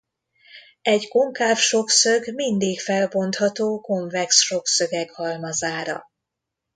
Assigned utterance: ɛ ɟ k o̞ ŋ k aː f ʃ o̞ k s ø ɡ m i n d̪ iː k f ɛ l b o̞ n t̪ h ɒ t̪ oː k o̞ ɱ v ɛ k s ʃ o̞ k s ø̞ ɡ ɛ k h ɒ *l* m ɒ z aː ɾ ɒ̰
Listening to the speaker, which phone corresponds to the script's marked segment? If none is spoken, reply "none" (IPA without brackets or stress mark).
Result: l